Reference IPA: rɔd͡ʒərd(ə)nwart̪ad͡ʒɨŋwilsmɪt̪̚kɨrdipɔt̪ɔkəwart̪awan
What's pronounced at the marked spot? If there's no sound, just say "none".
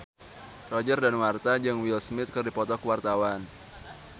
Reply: a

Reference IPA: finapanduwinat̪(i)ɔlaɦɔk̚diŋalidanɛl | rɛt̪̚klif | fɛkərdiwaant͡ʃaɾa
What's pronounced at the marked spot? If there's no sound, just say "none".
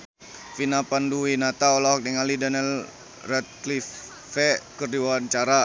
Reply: a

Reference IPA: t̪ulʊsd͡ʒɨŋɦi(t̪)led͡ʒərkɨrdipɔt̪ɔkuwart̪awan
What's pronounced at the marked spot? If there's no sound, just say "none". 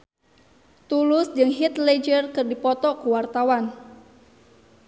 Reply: t̪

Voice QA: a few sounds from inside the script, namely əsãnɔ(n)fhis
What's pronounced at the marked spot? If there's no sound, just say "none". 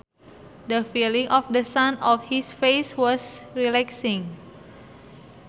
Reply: none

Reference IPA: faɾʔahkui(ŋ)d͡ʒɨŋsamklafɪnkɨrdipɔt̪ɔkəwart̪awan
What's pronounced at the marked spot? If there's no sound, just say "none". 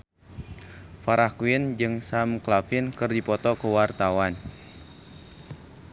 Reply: n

